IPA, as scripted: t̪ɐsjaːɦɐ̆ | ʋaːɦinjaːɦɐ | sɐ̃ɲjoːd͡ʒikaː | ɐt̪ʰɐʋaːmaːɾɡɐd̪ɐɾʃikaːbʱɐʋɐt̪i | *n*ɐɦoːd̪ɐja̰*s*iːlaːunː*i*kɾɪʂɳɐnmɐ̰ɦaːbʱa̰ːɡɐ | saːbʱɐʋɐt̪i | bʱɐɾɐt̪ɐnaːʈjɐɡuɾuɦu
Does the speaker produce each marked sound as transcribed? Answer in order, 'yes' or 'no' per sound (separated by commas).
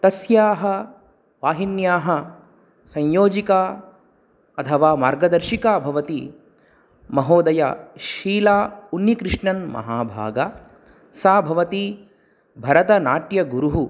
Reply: no, no, yes